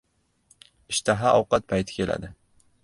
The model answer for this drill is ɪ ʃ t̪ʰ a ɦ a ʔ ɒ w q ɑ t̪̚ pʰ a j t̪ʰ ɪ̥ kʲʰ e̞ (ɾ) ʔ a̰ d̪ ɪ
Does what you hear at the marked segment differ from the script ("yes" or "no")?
yes